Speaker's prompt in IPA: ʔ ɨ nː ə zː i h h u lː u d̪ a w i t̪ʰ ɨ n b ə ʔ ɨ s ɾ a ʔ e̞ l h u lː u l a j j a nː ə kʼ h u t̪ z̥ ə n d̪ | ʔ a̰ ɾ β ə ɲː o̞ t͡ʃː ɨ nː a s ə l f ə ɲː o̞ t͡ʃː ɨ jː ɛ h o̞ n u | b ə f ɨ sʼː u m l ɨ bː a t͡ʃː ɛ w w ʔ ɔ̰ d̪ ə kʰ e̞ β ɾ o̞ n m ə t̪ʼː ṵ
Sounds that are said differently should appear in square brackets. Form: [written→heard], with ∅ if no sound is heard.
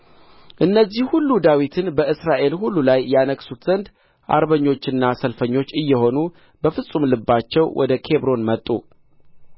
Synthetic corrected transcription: ʔ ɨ nː ə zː i h h u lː u d̪ a w i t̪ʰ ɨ n b ə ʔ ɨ s ɾ a ʔ e̞ l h u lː u l a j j a [nː→n] ə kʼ [h→s] u t̪ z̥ ə n d̪ | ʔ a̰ ɾ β ə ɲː o̞ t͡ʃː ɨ nː a s ə l f ə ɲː o̞ t͡ʃː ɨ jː ɛ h o̞ n u | b ə f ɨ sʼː u m l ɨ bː a t͡ʃː ɛ w w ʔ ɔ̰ d̪ ə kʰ e̞ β ɾ o̞ n m ə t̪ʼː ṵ